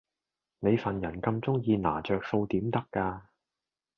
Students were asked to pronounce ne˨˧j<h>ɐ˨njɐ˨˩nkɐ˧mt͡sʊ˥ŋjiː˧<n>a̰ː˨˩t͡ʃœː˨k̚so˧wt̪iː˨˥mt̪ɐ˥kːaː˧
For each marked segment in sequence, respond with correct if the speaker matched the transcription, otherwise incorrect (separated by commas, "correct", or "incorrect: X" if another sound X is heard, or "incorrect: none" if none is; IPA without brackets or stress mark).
incorrect: f, correct